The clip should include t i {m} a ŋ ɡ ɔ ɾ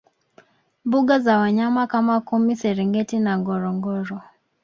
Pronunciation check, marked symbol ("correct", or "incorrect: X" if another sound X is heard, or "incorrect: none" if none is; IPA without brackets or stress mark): incorrect: n